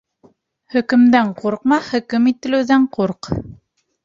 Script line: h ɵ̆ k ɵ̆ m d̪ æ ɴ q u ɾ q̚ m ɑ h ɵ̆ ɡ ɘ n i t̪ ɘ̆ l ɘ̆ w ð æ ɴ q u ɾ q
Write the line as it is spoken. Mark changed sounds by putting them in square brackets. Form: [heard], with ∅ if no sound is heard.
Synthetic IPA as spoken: h ɵ̆ k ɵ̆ m d̪ æ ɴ q u ɾ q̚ m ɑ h ɵ̆ [k] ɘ [m] i t̪ ɘ̆ l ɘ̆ w ð æ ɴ q u ɾ q